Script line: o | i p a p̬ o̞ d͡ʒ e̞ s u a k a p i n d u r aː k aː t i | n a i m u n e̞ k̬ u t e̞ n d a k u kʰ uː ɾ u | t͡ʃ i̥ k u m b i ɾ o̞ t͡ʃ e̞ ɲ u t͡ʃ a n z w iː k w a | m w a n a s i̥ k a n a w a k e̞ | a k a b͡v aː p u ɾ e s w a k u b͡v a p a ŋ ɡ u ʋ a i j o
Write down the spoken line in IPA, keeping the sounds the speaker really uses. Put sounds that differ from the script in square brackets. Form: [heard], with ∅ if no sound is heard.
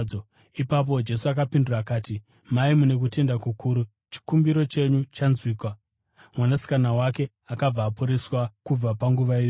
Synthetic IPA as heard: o | i p a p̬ o̞ d͡ʒ e̞ s u a k a p i n d u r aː k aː t i | [m] a i m u n e̞ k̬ u t e̞ n d a k u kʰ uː ɾ u | t͡ʃ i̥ k u m b i ɾ o̞ t͡ʃ e̞ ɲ u t͡ʃ a n z w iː k w a | m w a n a s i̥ k a n a w a k e̞ | a k a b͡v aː p u ɾ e s w a k u b͡v a p a ŋ ɡ u ʋ a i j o

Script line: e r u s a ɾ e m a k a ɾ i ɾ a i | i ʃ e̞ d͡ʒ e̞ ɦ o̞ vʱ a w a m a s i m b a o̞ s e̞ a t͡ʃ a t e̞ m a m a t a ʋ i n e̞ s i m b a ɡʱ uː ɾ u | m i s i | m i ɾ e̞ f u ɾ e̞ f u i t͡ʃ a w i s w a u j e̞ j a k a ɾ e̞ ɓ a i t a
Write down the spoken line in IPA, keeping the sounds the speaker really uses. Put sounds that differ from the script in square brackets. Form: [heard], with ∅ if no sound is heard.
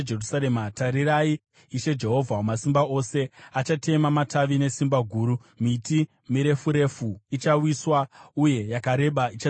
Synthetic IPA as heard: e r u s a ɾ e m a [t] a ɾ i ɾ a i | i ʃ e̞ d͡ʒ e̞ ɦ o̞ vʱ a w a m a s i m b a o̞ s e̞ a t͡ʃ a t e̞ m a m a t a ʋ i n e̞ s i m b a ɡʱ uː ɾ u | m i [t] i | m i ɾ e̞ f u ɾ e̞ f u i t͡ʃ a w i s w a u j e̞ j a k a ɾ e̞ ɓ a i [t͡ʃ] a

